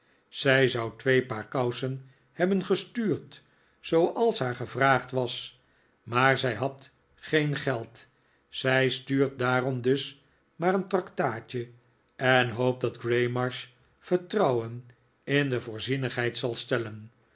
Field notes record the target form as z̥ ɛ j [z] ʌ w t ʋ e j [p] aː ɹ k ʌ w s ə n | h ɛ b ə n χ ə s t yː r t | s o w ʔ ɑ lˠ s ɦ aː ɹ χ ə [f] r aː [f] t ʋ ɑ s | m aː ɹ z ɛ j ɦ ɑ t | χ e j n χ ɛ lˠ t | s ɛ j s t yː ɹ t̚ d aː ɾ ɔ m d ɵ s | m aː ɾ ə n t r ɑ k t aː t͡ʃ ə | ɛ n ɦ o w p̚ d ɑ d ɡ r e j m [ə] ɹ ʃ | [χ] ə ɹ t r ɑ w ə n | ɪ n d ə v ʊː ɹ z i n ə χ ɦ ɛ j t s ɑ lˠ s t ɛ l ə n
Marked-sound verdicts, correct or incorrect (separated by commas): correct, correct, incorrect, incorrect, incorrect, incorrect